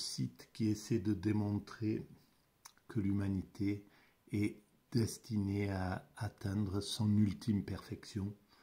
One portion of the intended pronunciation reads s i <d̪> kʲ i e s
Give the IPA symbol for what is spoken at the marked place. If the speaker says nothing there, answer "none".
t̪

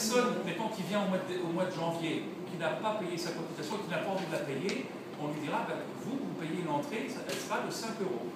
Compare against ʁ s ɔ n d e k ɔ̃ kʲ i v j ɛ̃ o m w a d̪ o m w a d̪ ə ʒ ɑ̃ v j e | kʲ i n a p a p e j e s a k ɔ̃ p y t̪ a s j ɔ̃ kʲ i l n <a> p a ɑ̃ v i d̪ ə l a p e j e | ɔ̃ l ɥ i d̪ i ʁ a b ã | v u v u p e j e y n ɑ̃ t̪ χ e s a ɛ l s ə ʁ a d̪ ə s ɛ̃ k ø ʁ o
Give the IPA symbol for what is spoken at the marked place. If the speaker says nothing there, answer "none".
a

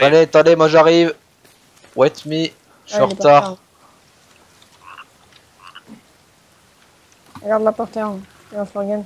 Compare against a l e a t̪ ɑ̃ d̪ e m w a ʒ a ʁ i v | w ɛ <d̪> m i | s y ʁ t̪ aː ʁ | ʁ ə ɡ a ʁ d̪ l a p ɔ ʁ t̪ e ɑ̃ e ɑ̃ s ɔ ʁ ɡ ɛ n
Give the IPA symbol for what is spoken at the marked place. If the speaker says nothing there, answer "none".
t̪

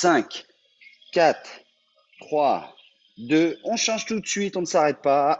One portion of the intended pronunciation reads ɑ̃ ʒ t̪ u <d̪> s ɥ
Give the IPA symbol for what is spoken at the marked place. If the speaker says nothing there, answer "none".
t̪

